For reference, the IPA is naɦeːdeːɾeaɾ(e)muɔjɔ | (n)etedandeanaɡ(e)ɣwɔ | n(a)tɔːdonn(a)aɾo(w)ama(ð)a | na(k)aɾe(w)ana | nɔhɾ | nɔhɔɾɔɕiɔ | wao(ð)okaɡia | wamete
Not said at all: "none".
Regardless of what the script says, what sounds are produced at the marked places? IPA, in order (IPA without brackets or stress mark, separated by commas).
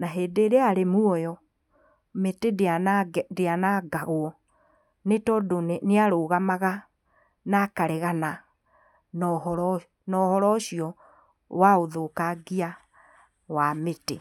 e, m, a, e, e, ɣ, ɣ, k, ɣ, ð